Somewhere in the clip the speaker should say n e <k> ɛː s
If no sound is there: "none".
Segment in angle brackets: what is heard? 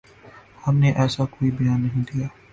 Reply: ʔ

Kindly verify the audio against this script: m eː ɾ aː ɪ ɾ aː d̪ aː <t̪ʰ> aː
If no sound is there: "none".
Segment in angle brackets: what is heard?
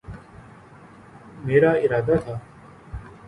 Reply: t̪ʰ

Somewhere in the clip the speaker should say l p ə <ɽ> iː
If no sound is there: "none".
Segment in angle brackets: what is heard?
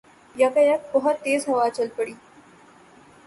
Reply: ɽ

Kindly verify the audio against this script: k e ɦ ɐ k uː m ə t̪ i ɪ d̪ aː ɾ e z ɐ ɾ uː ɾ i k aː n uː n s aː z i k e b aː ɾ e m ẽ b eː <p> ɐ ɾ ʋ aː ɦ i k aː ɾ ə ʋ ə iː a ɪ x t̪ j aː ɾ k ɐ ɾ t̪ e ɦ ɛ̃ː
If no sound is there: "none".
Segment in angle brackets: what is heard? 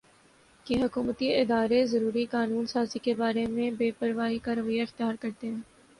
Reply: p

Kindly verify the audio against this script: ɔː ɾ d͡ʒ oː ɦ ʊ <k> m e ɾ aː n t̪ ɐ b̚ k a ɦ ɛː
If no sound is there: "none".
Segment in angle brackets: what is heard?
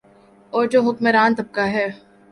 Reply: k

